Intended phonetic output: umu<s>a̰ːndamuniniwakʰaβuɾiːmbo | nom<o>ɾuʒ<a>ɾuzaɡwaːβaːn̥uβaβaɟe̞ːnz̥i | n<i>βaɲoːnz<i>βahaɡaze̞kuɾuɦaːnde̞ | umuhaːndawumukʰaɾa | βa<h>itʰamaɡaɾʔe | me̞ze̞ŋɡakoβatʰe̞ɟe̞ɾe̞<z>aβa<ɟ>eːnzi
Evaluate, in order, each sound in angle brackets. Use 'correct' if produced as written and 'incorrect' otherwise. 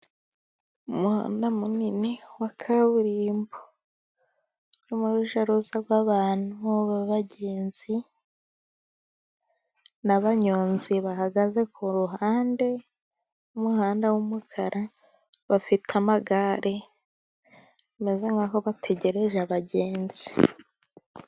incorrect: h, incorrect: u, correct, incorrect: a, correct, incorrect: f, incorrect: ʒ, correct

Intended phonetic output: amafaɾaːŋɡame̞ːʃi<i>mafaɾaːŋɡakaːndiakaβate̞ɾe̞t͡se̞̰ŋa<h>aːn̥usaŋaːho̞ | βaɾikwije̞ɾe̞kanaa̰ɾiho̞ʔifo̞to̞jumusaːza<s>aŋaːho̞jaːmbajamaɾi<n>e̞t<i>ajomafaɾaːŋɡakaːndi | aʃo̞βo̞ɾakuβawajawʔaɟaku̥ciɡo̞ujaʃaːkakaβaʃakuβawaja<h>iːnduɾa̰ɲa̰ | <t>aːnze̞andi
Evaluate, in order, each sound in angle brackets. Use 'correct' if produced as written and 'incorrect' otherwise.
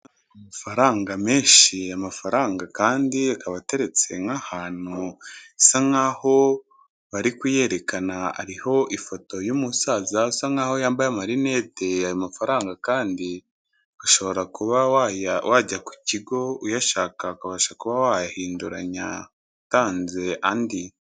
incorrect: a, correct, correct, correct, incorrect: e, correct, correct

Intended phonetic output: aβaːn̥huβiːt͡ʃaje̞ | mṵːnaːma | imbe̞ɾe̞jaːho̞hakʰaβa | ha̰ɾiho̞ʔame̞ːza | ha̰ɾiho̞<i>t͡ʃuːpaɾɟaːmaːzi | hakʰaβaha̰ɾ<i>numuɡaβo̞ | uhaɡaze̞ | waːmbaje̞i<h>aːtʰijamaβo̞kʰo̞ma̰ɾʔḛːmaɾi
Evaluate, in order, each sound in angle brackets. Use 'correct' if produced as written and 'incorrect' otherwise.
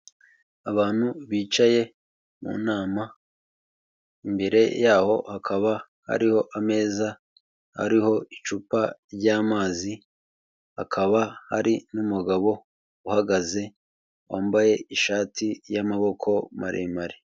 correct, correct, incorrect: ʃ

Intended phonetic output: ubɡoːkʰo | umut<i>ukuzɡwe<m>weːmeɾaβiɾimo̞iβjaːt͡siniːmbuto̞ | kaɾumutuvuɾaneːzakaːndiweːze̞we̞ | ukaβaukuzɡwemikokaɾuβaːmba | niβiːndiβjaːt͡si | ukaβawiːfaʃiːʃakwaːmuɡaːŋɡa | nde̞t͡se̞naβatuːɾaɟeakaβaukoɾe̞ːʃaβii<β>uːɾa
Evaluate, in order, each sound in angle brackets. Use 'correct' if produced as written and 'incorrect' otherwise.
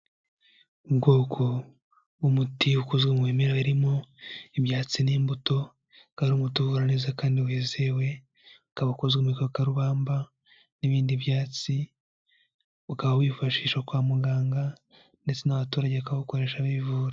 correct, correct, incorrect: v

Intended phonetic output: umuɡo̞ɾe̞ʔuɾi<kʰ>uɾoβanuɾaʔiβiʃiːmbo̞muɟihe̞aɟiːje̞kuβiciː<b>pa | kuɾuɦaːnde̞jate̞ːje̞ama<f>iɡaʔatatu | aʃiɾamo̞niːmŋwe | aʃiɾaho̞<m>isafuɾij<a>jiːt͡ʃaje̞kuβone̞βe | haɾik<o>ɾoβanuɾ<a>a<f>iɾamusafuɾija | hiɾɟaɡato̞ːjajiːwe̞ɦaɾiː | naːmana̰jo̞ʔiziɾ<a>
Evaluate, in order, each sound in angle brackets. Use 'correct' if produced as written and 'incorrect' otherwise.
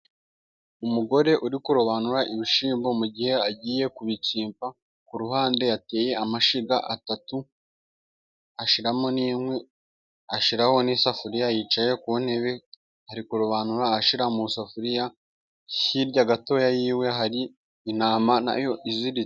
incorrect: k, incorrect: m, incorrect: ʃ, incorrect: n, correct, incorrect: u, correct, incorrect: ʃ, incorrect: i

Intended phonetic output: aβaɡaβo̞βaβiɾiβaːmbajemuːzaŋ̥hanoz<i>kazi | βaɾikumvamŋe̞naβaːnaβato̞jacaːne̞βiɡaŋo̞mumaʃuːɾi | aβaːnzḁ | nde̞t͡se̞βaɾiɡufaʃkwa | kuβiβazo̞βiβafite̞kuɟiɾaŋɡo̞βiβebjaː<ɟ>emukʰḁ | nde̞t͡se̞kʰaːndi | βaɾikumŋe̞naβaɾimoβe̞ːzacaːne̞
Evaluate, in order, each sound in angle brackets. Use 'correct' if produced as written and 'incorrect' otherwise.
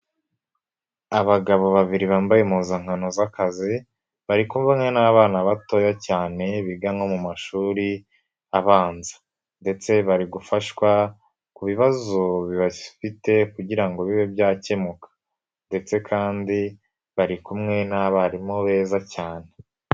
incorrect: a, incorrect: c

